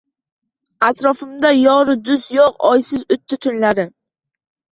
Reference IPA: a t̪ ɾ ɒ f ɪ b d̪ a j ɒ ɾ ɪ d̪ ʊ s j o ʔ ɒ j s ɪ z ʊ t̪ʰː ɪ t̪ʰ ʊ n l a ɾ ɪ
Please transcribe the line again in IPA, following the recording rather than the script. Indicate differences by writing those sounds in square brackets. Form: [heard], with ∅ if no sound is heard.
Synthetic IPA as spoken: a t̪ ɾ ɒ f ɪ [m] d̪ a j ɒ ɾ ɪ d̪ ʊ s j o [q] ɒ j s ɪ z ʊ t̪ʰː ɪ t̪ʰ ʊ n l a ɾ ɪ